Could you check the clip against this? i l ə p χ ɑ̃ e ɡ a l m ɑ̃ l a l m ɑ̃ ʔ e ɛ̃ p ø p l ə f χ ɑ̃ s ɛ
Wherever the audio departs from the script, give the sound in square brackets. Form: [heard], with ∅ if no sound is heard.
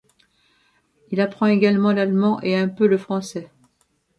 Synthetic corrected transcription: i l [a] p χ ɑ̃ e ɡ a l m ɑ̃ l a l m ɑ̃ ʔ e ɛ̃ p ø [∅] l ə f χ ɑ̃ s ɛ